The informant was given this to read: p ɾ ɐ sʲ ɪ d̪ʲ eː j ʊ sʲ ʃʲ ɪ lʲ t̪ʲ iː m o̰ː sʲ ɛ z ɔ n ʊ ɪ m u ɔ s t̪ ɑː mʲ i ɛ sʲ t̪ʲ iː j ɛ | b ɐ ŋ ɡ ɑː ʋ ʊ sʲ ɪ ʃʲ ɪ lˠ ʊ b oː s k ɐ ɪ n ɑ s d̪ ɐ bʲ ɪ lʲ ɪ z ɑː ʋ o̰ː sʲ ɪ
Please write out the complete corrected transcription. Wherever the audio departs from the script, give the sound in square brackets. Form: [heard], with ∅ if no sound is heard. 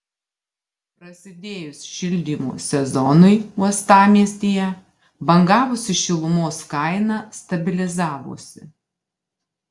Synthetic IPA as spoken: p ɾ ɐ sʲ ɪ d̪ʲ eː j ʊ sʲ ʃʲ ɪ lʲ [d̪ʲ] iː m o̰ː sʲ ɛ z ɔ n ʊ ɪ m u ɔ s t̪ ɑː mʲ i ɛ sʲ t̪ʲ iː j ɛ | b ɐ ŋ ɡ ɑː ʋ ʊ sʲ ɪ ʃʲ ɪ lˠ ʊ [m] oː s k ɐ ɪ n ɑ s [t̪] ɐ bʲ ɪ lʲ ɪ z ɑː ʋ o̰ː sʲ ɪ